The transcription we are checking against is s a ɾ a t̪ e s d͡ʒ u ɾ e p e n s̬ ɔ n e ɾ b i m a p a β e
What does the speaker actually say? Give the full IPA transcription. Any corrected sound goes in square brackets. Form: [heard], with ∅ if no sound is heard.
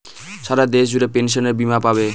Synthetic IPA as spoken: s a ɾ a [d̪] e s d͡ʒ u ɾ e p e n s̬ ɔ n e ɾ b i m a p a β e